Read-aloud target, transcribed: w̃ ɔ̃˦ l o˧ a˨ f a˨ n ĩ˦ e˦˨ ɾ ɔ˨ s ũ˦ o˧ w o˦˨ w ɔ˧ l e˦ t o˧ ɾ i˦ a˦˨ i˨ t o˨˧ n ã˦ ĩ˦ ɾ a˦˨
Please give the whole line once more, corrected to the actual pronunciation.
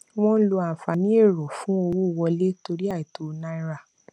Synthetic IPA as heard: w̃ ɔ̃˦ l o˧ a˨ f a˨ n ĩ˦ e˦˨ ɾ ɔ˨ f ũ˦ o˧ w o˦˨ w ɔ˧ l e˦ t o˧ ɾ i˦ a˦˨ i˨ t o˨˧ n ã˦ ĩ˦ ɾ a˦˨